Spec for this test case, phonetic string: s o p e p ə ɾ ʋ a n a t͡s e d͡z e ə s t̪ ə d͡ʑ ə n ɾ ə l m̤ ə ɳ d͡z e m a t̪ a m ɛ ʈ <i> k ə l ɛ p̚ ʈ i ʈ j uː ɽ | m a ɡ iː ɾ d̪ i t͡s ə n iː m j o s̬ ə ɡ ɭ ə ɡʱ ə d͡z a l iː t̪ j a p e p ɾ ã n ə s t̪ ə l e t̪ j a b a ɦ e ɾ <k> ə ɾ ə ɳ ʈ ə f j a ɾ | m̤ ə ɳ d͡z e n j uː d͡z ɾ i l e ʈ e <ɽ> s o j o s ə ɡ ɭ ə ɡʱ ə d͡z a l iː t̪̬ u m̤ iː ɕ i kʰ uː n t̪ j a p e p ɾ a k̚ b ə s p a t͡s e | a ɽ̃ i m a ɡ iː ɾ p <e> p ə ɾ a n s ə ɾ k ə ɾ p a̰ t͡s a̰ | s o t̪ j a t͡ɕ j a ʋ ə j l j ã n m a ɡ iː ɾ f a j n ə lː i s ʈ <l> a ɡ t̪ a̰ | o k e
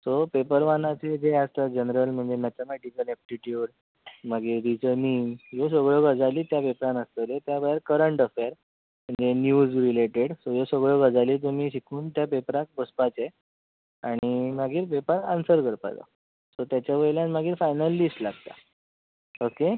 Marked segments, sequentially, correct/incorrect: correct, correct, correct, correct, correct

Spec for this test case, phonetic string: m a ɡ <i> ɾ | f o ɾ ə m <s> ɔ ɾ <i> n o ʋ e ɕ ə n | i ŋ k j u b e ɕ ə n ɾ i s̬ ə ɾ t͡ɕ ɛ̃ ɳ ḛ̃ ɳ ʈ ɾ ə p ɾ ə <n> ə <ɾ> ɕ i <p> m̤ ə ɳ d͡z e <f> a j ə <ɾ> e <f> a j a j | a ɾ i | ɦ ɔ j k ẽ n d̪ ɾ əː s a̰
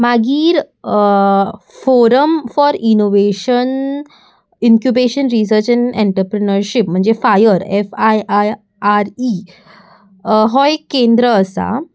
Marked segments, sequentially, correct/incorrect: incorrect: iː, incorrect: f, correct, correct, correct, correct, correct, correct, correct

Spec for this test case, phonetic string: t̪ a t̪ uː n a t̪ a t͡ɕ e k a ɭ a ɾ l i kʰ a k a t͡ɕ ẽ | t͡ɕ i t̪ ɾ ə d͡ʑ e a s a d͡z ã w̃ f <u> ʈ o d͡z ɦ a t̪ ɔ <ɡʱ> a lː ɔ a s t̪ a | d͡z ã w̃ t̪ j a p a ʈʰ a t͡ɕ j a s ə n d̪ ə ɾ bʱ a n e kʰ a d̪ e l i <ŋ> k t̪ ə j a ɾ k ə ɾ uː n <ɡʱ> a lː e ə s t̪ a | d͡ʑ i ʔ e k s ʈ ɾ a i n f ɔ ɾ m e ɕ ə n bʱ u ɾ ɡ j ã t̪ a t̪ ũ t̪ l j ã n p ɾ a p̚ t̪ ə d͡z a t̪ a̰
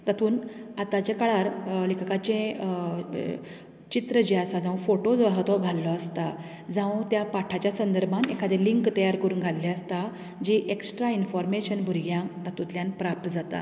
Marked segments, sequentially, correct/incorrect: incorrect: o, correct, correct, correct

